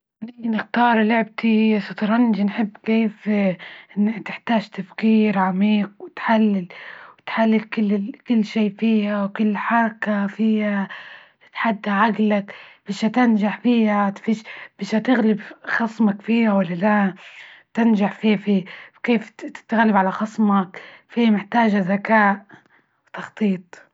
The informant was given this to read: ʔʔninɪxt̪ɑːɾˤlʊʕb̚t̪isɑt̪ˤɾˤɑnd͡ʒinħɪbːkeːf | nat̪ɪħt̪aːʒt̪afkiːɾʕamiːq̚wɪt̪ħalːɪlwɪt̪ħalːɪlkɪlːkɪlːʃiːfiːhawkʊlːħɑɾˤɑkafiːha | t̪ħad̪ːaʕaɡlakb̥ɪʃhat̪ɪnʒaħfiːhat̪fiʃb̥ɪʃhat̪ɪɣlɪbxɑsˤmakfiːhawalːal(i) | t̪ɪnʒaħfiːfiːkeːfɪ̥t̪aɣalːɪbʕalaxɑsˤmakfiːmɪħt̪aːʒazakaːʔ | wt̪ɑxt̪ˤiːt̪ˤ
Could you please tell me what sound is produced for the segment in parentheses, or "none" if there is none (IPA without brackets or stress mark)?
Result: a